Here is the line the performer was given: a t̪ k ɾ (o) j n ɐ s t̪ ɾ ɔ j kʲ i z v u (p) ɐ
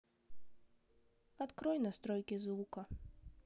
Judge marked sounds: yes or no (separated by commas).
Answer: no, no